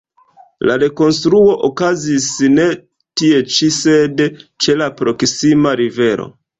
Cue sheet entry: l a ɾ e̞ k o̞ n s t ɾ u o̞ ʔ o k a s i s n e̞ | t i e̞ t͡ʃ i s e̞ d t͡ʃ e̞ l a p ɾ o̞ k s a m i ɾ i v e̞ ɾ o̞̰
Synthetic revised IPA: l a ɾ e̞ k o̞ n s t ɾ u o̞ ʔ o k a z i s n e̞ | t i e̞ t͡ʃ i s e̞ d t͡ʃ e̞ l a p ɾ o̞ k s i m a ɾ i v e̞ ɾ o̞̰